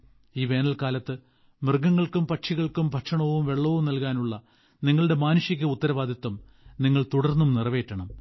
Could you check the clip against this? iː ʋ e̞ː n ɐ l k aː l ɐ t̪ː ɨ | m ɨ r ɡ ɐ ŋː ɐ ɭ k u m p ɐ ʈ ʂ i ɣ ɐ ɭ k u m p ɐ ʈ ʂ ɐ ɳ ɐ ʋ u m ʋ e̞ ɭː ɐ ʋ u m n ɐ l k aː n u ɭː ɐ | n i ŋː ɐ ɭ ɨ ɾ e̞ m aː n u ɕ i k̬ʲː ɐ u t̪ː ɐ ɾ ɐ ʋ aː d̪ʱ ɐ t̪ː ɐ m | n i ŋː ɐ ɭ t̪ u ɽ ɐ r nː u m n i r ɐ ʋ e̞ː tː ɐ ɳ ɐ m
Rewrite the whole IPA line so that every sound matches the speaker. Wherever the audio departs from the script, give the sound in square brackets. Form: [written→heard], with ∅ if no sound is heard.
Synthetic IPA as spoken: iː ʋ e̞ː n ɐ l k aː l ɐ t̪ː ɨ | m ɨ r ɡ ɐ ŋː ɐ ɭ k u m p ɐ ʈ ʂ i ɣ ɐ ɭ k u m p ɐ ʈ ʂ ɐ ɳ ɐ ʋ u m ʋ e̞ ɭː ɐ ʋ u m n ɐ l k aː n u ɭː ɐ | n i ŋː ɐ ɭ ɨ [ɾ→ɽ] e̞ m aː n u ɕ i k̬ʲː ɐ u t̪ː ɐ ɾ ɐ ʋ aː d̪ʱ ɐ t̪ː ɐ m | n i ŋː ɐ ɭ t̪ u ɽ ɐ r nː u m n i r ɐ ʋ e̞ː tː ɐ ɳ ɐ m